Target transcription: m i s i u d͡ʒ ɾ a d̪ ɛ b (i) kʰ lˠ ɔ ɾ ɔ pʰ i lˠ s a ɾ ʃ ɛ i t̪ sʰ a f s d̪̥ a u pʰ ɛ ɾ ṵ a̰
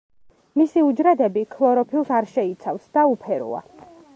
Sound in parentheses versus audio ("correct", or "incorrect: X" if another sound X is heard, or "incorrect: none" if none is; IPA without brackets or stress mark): correct